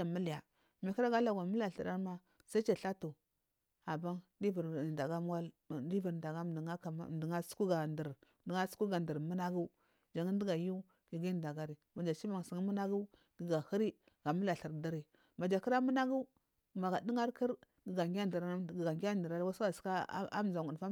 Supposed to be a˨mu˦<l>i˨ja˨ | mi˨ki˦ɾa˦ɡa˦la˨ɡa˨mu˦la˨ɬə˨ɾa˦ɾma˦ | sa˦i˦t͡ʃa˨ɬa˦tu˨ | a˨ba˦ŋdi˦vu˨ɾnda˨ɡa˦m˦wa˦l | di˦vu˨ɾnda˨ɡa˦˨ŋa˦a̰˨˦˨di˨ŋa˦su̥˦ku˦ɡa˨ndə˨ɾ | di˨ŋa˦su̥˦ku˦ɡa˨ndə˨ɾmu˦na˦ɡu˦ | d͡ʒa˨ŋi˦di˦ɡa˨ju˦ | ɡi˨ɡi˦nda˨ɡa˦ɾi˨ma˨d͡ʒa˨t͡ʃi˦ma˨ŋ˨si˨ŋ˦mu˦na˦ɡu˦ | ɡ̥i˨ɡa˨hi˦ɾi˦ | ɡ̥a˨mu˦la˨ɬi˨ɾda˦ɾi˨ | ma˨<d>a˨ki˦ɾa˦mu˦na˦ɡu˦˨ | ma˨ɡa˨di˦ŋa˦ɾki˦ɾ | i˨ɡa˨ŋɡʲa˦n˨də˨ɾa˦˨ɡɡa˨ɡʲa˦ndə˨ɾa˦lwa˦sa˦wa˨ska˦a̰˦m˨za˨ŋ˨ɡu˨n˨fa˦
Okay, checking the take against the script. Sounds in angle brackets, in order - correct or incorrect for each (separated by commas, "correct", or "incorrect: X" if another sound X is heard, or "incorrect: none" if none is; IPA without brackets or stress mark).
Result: correct, incorrect: d͡ʒ